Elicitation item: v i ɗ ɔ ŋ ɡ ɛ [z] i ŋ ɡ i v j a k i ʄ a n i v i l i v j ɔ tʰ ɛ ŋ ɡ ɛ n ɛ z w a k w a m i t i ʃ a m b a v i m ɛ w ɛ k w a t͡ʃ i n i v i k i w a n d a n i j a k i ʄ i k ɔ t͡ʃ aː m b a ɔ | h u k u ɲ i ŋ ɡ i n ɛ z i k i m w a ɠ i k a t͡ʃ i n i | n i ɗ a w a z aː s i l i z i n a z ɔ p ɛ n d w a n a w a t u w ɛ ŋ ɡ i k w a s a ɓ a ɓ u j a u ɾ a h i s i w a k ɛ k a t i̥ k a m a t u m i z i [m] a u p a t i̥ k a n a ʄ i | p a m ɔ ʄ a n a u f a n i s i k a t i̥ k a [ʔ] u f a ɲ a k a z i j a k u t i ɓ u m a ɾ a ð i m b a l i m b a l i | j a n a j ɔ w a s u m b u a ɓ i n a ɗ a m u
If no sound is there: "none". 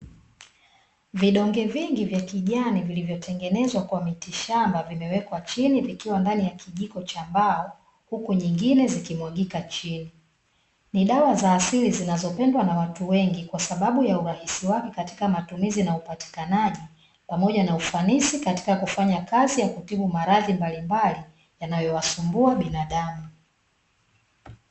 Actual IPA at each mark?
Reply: v, n, k

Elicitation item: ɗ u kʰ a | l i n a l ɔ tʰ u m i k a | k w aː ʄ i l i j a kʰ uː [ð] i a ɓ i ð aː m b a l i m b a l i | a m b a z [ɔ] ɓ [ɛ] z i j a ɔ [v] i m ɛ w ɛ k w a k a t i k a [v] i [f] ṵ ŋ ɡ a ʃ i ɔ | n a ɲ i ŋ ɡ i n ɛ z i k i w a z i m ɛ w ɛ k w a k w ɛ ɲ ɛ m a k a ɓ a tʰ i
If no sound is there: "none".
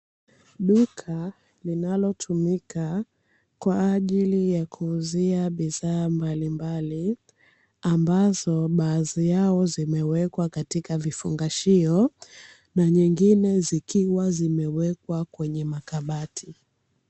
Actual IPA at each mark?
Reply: z, ɔ, a, z, v, f

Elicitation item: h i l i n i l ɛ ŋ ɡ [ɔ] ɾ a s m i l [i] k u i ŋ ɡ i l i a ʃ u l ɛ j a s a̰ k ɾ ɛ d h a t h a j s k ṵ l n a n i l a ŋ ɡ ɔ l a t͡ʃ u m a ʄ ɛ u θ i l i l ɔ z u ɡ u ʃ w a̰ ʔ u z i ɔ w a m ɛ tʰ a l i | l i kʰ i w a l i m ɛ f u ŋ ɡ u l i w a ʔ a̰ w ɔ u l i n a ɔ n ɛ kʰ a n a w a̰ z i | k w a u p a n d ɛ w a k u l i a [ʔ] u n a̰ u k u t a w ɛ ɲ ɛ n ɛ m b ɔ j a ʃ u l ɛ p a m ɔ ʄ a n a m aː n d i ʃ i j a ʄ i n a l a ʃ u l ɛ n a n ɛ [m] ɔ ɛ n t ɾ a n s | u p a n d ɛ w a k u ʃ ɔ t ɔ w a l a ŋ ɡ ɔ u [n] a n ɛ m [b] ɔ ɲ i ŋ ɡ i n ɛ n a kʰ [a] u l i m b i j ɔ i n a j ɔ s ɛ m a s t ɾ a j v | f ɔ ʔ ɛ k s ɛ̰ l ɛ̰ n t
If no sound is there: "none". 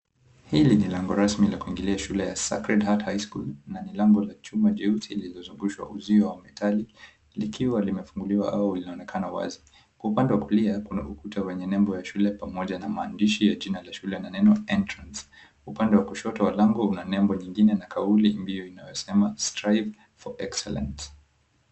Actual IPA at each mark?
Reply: ɔ, a, k, n, n, b, a

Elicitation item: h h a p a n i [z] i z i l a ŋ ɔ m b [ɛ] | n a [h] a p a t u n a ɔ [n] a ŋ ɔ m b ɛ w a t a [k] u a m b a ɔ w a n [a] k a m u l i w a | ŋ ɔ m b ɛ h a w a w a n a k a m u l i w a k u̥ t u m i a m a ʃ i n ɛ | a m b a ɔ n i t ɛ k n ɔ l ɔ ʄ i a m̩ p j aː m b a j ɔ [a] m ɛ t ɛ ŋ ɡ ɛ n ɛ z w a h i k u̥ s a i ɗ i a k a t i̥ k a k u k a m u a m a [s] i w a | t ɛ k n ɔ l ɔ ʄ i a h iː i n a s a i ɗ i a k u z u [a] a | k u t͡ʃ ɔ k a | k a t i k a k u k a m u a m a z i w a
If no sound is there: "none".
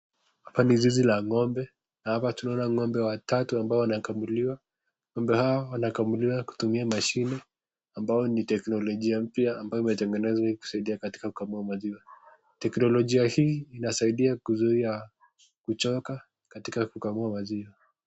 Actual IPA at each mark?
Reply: z, ɛ, h, n, t, a, i, z, i

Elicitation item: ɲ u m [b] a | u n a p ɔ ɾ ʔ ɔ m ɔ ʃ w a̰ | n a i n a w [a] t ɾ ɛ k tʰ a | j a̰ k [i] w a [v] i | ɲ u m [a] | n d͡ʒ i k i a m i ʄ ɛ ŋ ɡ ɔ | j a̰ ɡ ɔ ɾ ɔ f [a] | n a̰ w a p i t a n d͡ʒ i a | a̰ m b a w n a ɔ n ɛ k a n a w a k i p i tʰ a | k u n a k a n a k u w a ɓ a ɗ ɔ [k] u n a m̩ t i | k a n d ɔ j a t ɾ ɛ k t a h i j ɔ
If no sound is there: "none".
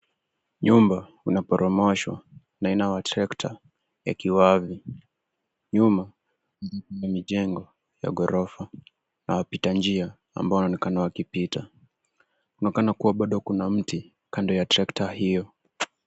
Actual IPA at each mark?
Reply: b, a, i, v, a, a, k

